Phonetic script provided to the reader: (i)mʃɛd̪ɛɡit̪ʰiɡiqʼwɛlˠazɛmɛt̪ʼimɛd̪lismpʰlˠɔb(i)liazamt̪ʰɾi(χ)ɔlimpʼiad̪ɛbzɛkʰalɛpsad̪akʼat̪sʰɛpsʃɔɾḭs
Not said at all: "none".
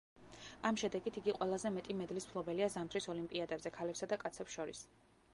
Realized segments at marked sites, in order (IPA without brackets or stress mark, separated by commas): a, ɛ, s